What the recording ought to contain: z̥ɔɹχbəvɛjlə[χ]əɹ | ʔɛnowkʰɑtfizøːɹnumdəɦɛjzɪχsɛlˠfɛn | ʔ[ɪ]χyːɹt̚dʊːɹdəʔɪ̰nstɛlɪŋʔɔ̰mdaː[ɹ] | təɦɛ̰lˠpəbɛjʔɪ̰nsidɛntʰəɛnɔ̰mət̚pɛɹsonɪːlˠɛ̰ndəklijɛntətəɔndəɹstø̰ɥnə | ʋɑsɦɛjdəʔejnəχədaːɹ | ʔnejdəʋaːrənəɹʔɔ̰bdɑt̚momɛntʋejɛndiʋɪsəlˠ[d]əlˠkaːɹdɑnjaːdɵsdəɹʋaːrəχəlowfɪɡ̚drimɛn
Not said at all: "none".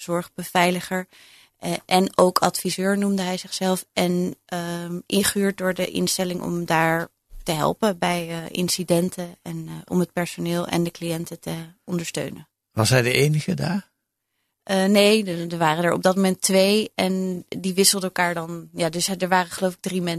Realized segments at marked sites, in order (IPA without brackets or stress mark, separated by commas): χ, ɪ, ɹ, d